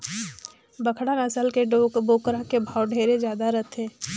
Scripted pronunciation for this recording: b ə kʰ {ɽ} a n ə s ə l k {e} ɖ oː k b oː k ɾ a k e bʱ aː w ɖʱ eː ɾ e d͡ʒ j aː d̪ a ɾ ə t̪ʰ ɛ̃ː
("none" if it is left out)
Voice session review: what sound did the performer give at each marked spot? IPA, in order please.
ɽ, e

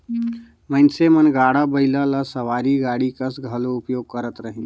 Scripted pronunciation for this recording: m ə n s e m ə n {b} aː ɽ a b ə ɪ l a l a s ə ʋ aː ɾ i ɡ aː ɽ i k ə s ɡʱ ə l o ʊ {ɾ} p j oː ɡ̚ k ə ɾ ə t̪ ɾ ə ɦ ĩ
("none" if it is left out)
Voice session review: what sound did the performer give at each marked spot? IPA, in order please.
ɡ, none

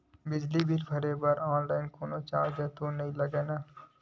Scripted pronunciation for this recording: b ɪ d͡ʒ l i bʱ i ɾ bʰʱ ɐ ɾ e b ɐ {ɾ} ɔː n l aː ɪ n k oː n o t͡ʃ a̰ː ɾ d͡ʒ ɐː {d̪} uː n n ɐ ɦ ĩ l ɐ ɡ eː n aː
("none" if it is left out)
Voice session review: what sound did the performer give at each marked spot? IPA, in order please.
ɾ, t̪

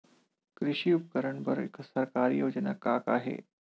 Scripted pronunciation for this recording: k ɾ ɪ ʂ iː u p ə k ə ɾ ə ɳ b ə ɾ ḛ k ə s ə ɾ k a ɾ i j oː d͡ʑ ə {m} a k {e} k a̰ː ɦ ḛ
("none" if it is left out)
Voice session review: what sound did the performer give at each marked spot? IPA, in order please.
n, a

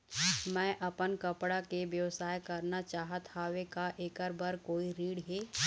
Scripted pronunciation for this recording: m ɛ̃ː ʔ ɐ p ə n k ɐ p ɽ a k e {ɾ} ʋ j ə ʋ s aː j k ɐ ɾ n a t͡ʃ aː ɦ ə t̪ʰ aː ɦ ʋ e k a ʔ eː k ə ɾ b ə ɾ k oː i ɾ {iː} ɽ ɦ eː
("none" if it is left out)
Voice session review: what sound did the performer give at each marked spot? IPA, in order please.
none, iː

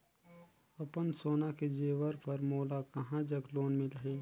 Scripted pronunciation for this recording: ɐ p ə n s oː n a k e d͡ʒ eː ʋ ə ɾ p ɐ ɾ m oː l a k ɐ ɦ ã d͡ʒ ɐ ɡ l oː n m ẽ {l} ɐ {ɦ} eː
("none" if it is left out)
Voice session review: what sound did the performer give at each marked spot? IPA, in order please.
l, ɦ

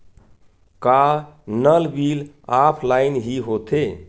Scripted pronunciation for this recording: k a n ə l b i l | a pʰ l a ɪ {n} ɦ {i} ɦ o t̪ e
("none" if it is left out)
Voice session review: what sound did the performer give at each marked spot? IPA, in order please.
n, i

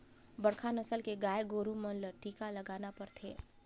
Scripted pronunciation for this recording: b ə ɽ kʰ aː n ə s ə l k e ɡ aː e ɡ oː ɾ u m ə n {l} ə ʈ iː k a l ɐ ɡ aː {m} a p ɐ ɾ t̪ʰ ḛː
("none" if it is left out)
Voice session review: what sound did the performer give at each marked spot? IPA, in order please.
l, n

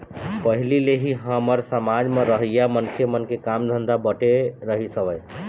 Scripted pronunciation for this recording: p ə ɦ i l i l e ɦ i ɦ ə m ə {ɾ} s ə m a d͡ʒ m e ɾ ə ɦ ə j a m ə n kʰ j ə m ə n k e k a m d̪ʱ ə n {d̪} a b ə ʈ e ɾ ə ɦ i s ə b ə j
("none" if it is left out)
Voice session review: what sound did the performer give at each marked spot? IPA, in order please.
ɾ, d̪

